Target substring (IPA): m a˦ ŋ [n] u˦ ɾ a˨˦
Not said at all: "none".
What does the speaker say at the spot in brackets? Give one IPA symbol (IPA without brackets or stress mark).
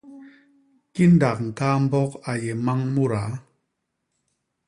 m